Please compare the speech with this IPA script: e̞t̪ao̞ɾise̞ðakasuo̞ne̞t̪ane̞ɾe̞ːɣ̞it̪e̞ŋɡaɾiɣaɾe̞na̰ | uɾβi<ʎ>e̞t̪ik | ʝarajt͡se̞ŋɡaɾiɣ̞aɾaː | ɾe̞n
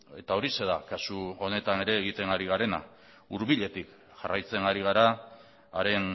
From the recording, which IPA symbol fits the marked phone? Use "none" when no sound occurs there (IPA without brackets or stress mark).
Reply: ʎ